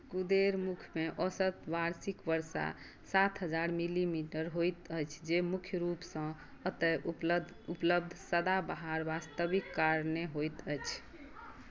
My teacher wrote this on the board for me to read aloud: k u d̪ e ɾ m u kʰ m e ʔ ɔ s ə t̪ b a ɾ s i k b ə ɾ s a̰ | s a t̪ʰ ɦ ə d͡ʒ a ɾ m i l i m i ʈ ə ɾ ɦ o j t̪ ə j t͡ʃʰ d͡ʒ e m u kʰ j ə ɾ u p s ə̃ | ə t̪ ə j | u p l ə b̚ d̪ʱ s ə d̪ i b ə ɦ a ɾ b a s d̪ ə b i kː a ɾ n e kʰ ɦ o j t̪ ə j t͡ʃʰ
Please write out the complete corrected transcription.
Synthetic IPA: k u d̪ e ɾ m u kʰ m e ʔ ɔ s ə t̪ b a ɾ s i k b ə ɾ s a̰ | s a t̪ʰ ɦ ə d͡ʒ a ɾ m i l i m i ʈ ə ɾ ɦ o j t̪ ə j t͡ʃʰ d͡ʒ e m u kʰ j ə ɾ u p s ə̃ | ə t̪ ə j | u p l ə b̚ d̪ʱ s ə d̪ a b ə ɦ a ɾ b a s t̪ ə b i kː a ɾ n e ɦ o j t̪ ə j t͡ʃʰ

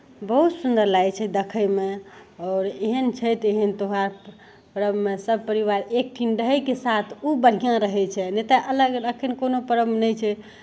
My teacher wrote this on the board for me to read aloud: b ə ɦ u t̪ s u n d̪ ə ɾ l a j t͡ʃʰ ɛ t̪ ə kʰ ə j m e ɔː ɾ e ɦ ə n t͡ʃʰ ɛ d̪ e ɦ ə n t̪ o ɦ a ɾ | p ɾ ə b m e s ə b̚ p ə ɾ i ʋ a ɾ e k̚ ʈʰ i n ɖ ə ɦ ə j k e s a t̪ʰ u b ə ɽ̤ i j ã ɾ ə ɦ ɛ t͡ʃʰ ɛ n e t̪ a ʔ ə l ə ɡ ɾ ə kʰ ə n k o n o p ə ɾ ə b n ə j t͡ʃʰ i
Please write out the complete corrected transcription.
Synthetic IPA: b ə ɦ u t̪ s u n d̪ ə ɾ l a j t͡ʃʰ ɛ d̪ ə kʰ ə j m e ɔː ɾ e ɦ ə n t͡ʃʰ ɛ t̪ e ɦ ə n t̪ o ɦ a ɾ | p ɾ ə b m e s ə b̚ p ə ɾ i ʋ a ɾ e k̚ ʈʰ i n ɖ ə ɦ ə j k e s a t̪ʰ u b ə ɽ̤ i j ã ɾ ə ɦ ɛ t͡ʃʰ ɛ n e t̪ a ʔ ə l ə ɡ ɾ ə kʰ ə n k o n o p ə ɾ ə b n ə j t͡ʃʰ ɛ

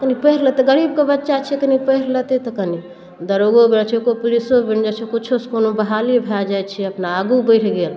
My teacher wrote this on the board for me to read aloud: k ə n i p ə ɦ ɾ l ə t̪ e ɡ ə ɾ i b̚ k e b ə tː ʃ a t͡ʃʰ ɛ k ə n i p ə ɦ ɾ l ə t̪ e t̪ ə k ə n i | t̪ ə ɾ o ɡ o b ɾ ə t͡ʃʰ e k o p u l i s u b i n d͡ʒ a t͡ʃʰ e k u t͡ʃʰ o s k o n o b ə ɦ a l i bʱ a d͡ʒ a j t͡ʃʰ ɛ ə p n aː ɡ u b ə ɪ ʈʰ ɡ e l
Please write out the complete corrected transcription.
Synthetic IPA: k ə n i p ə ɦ ɾ l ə t̪ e ɡ ə ɾ i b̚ k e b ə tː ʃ a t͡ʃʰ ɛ k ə n i p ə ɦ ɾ l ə t̪ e t̪ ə k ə n i | d̪ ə ɾ o ɡ o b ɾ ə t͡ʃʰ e k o p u l i s o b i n d͡ʒ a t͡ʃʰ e k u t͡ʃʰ o s k o n o b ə ɦ a l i bʱ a d͡ʒ a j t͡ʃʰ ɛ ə p n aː ɡ u b ə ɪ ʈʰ ɡ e l

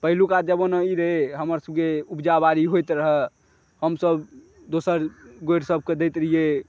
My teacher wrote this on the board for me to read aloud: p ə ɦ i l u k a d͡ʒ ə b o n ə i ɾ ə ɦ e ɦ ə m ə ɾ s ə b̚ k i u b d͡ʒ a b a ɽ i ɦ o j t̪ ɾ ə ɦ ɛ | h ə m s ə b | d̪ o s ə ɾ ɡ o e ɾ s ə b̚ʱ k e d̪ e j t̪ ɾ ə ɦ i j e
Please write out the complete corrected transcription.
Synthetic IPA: p ə ɦ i l u k a d͡ʒ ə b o n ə i ɾ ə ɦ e ɦ ə m ə ɾ s ə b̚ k e u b d͡ʒ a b a ɾ i ɦ o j t̪ ɾ ə ɦ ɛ | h ə m s ə b | d̪ o s ə ɾ ɡ o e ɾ s ə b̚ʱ k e d̪ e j t̪ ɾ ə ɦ i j e

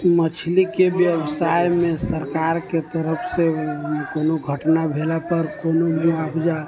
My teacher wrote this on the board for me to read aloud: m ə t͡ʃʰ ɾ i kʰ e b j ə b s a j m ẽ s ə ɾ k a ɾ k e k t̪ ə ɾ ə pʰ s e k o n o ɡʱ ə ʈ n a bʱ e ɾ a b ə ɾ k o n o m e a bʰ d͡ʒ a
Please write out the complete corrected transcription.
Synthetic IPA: m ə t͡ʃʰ l i k e b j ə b s a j m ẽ s ə ɾ k a ɾ k e t̪ ə ɾ ə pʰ s e k o n o ɡʱ ə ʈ n a bʱ e l a p ə ɾ k o n o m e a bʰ d͡ʒ a

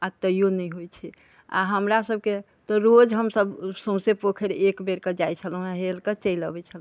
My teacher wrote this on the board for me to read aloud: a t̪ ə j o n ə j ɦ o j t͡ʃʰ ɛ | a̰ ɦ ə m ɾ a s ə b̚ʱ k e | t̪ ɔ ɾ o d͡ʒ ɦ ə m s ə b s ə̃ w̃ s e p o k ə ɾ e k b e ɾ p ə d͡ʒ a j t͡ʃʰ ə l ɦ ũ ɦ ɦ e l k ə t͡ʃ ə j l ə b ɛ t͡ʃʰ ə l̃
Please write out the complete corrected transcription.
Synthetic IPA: a t̪ ə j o n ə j ɦ o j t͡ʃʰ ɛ | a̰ ɦ ə m ɾ a s ə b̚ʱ k e | t̪ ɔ ɾ o d͡ʒ ɦ ə m s ə b s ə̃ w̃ s e p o kʰ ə ɾ e k b e ɾ k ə d͡ʒ a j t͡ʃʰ ə l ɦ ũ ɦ ɦ e l k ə t͡ʃ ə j l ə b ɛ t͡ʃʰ ə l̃

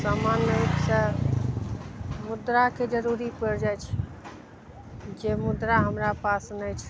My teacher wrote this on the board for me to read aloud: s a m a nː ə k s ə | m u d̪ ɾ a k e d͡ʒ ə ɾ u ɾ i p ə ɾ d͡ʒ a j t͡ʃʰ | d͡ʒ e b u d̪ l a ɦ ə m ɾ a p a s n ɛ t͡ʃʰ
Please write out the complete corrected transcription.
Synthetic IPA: s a m a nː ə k s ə | m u d̪ ɾ a k e d͡ʒ ə ɾ u ɾ i p ə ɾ d͡ʒ a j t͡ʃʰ | d͡ʒ e m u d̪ ɾ a ɦ ə m ɾ a p a s n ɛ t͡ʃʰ

